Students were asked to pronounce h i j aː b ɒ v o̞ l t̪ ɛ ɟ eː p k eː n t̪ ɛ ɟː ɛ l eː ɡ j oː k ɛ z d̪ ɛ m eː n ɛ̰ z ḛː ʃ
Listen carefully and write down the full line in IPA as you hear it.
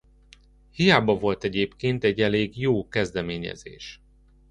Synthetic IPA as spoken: h i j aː b ɒ v o̞ l t̪ ɛ ɟ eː p k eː n t̪ ɛ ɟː ɛ l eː ɡ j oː k ɛ z d̪ ɛ m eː ɲ ɛ̰ z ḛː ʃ